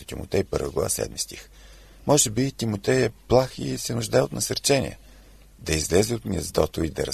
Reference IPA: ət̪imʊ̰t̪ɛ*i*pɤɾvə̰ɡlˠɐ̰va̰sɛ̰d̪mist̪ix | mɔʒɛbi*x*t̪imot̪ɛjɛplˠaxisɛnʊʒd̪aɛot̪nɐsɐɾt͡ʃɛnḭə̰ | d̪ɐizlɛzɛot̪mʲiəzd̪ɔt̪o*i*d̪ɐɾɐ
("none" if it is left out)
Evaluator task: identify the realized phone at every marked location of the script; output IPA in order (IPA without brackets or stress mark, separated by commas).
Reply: j, none, i